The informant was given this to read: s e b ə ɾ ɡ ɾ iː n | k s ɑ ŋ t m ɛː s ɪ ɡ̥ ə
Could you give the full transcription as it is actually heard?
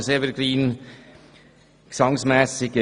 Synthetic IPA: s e v ə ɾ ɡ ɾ iː n | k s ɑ ŋ s m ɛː s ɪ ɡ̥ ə